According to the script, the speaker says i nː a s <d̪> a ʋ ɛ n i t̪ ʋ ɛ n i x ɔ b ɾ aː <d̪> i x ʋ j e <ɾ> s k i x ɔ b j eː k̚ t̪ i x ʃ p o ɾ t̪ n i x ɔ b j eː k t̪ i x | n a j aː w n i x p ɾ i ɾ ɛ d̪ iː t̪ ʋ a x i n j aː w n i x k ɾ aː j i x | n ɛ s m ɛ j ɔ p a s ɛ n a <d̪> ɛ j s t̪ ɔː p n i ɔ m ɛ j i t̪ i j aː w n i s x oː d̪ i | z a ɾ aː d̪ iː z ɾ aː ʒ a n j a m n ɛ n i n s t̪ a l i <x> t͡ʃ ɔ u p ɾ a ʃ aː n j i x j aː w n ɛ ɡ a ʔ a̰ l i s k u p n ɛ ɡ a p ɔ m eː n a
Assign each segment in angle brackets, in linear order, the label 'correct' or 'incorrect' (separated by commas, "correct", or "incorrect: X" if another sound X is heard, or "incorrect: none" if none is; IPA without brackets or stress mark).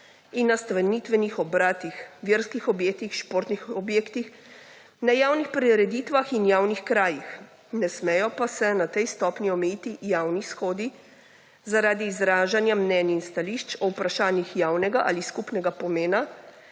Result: incorrect: t̪, incorrect: t̪, correct, incorrect: t̪, incorrect: ʃ